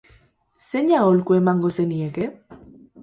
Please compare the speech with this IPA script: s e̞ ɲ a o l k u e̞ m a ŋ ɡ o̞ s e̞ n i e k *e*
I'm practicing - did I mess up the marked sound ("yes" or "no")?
no